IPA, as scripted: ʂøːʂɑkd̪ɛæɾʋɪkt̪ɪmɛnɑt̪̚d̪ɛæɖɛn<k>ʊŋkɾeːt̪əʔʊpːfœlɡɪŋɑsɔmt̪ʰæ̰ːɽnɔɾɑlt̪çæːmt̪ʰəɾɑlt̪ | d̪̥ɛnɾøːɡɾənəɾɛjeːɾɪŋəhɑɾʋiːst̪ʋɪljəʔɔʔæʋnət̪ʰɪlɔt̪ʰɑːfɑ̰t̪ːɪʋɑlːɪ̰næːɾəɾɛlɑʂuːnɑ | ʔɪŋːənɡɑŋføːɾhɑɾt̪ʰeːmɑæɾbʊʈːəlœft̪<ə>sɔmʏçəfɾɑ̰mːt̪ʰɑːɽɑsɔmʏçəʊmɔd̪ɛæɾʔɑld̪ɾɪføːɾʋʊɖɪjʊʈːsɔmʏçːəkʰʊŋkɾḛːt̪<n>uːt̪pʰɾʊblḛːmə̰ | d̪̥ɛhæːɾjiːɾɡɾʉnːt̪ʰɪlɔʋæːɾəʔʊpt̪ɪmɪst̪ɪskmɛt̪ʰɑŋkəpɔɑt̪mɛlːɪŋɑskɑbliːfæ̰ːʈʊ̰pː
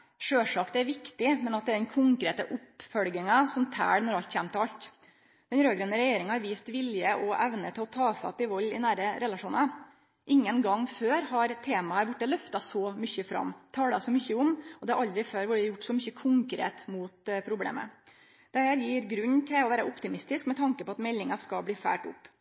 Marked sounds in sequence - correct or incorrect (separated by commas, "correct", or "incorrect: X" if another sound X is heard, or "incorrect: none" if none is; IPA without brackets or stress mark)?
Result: incorrect: kʰ, incorrect: ɑ, incorrect: m